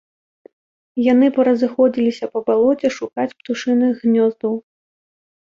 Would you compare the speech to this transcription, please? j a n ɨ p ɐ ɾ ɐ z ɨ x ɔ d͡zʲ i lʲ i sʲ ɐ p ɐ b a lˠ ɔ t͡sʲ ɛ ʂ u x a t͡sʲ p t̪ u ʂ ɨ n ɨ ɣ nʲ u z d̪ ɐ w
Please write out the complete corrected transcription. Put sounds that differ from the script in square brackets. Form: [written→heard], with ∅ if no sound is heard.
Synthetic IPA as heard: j a n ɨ p ɐ ɾ ɐ z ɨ x ɔ d͡zʲ i lʲ i sʲ ɐ p ɐ b a lˠ ɔ t͡sʲ ɛ ʂ u [x→k] a t͡sʲ p t̪ u ʂ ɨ n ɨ ɣ nʲ [u→ɔ] z d̪ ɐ w

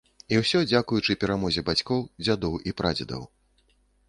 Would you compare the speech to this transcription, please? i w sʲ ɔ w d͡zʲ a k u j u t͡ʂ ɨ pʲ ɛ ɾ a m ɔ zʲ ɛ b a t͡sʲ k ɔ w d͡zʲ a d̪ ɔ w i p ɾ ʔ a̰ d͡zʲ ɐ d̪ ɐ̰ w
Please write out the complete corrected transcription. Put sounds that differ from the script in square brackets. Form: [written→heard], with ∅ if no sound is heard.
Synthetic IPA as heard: i w sʲ ɔ [w→∅] d͡zʲ a k u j u t͡ʂ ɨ pʲ ɛ ɾ a m ɔ zʲ ɛ b a t͡sʲ k ɔ w d͡zʲ a d̪ ɔ w i p ɾ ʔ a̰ d͡zʲ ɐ d̪ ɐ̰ w

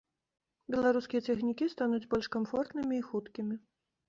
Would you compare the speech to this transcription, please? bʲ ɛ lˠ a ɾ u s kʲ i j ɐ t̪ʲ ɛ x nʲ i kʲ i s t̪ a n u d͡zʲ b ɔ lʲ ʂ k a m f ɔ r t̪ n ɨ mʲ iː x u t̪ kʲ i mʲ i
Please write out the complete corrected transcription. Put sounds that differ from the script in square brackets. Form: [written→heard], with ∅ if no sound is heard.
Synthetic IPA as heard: bʲ ɛ lˠ a ɾ u s kʲ i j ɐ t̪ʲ ɛ x nʲ i kʲ i s t̪ a n u d͡zʲ b ɔ lʲ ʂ k a m f ɔ r t̪ n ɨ mʲ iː x u t̪ kʲ i mʲ i

